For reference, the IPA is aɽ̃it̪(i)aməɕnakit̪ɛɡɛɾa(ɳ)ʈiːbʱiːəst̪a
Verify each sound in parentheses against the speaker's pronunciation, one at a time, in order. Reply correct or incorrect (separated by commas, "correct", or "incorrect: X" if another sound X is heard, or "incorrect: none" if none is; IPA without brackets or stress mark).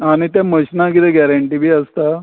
incorrect: j, correct